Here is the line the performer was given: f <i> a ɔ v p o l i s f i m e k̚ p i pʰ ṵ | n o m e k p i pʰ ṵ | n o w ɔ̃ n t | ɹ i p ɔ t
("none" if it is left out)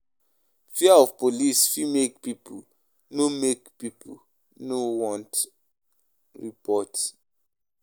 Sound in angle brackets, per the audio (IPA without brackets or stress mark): i